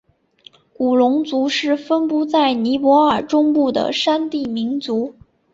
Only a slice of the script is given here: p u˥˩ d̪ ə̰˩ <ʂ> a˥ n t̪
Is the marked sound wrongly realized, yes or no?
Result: no